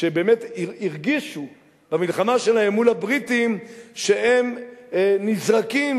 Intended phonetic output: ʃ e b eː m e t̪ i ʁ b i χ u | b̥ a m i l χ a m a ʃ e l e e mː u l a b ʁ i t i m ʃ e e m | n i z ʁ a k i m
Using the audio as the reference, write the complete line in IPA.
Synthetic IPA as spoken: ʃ e b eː m e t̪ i ʁ ɡ i ʃ u | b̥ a m i l χ a m a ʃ e l a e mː u l a b ʁ i t i m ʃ e e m | n i z ʁ a k i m